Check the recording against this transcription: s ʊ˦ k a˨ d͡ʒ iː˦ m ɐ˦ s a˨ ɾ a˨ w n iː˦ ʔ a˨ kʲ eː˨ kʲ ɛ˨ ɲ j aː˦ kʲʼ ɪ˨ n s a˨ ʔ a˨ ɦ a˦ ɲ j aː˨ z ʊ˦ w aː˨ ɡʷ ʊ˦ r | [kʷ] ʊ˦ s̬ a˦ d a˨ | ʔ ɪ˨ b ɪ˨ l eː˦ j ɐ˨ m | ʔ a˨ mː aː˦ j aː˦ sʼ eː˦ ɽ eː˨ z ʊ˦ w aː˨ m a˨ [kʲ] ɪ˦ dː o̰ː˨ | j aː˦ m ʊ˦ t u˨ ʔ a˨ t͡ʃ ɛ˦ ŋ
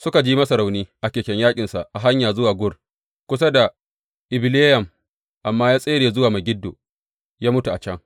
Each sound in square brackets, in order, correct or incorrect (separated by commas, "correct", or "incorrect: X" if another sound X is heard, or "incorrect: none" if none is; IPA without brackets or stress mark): correct, incorrect: ɡʲ